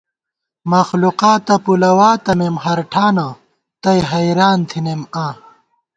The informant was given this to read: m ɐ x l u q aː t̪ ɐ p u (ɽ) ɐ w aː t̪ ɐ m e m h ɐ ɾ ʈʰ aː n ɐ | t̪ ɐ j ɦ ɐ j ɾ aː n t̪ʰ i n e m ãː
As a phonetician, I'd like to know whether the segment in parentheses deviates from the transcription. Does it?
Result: yes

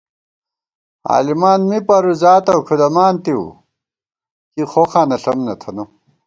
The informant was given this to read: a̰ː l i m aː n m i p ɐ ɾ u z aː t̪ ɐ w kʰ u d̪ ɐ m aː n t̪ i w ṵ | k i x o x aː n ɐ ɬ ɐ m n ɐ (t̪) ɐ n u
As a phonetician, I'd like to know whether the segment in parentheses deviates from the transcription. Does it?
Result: yes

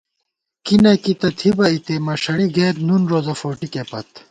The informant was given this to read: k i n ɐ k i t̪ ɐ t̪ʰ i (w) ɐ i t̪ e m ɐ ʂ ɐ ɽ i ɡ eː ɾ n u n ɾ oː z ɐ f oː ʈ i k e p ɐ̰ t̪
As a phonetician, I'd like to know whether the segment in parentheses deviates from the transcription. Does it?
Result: yes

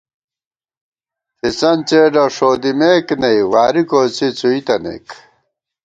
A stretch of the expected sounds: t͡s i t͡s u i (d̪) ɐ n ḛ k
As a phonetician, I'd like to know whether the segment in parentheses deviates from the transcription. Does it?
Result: yes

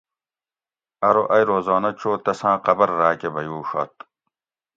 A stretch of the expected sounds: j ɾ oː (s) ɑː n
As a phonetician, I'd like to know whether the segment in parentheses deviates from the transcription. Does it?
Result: yes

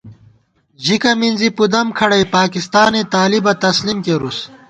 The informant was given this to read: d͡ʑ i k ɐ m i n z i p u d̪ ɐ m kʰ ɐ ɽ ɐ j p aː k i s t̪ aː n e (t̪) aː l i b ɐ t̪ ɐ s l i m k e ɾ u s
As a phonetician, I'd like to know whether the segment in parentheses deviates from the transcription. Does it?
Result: no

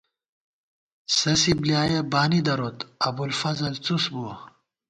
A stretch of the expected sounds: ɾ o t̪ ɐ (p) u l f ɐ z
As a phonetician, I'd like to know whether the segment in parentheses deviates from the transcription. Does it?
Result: yes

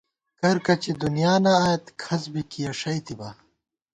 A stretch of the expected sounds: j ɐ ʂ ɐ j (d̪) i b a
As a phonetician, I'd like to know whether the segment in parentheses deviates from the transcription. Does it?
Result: yes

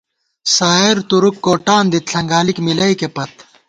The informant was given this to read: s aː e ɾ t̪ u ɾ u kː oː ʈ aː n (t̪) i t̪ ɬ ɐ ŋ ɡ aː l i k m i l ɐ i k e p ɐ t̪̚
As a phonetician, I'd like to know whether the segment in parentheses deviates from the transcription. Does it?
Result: yes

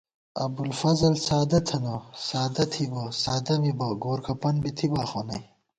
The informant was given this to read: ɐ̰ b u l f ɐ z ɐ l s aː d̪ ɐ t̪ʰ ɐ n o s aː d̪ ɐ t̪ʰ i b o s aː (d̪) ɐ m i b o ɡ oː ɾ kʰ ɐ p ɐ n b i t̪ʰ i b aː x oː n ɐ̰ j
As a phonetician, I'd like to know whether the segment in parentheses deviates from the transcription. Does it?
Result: no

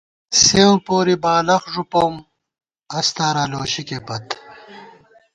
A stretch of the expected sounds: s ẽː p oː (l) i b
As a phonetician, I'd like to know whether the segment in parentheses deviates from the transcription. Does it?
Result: yes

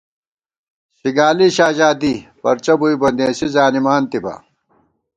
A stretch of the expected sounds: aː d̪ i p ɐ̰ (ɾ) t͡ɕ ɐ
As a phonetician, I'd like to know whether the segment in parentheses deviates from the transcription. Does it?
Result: no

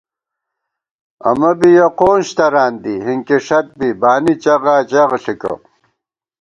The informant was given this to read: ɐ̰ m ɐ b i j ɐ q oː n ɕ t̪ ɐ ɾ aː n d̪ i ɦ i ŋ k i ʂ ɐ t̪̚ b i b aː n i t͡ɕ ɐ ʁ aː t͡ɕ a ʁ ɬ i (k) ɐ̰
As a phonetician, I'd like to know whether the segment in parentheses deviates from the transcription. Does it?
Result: no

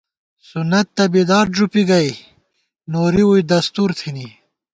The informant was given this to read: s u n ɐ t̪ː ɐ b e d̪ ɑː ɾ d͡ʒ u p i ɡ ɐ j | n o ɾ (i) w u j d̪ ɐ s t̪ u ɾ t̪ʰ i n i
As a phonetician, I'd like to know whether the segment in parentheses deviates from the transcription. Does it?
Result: no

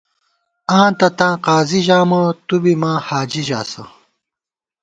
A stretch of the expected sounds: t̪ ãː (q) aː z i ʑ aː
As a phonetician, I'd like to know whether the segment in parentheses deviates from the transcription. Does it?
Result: no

